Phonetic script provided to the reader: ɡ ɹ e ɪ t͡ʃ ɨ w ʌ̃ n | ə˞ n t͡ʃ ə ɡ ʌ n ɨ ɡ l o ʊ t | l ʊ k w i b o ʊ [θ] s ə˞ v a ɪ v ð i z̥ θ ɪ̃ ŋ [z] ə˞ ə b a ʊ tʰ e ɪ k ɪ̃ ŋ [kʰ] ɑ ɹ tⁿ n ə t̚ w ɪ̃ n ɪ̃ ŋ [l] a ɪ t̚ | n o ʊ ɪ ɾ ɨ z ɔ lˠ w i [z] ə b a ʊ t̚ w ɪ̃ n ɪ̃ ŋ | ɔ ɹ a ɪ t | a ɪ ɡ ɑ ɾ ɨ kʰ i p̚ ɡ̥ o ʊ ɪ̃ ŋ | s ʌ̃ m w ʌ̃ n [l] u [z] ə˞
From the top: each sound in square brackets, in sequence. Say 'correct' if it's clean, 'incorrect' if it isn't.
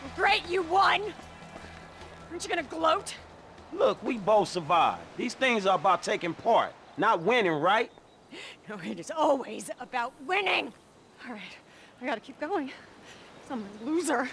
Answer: correct, correct, incorrect: pʰ, incorrect: ɹ, correct, correct, correct

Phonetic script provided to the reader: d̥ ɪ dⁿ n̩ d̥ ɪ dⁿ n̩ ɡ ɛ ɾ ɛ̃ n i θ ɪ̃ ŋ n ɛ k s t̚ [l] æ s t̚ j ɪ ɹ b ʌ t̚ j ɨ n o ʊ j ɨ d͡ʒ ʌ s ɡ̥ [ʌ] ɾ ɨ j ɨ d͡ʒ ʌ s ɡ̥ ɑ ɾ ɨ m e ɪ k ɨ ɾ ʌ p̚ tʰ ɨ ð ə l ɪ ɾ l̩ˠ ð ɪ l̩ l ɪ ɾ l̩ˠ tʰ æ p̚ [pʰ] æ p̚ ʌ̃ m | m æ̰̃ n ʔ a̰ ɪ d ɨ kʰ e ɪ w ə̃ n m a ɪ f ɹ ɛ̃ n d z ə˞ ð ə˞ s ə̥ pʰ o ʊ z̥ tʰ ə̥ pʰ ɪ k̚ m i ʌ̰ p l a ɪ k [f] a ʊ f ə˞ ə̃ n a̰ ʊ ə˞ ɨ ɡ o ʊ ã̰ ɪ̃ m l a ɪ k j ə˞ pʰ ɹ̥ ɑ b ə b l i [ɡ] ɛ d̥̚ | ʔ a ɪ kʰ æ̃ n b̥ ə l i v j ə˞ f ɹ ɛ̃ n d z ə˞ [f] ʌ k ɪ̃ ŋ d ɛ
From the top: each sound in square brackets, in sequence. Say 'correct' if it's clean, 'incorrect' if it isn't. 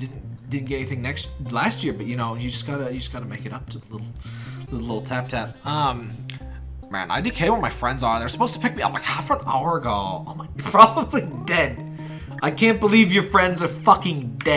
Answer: correct, incorrect: ɑ, incorrect: tʰ, incorrect: h, incorrect: d, correct

